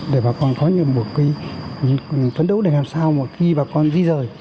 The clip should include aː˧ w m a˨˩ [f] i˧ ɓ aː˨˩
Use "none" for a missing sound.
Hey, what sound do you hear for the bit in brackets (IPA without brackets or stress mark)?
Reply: x